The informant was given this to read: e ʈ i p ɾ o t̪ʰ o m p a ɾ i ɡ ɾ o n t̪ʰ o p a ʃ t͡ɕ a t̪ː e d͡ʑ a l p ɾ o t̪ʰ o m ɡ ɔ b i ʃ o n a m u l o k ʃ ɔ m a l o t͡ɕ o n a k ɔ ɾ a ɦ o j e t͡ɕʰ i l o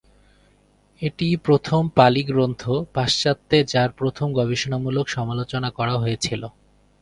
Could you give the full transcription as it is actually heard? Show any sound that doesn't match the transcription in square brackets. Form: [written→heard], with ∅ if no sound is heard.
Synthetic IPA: e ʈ i p ɾ o t̪ʰ o m p a [ɾ→l] i ɡ ɾ o n t̪ʰ o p a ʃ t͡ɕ a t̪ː e d͡ʑ a [l→ɾ] p ɾ o t̪ʰ o m ɡ ɔ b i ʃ o n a m u l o k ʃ ɔ m a l o t͡ɕ o n a k ɔ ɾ a ɦ o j e t͡ɕʰ i l o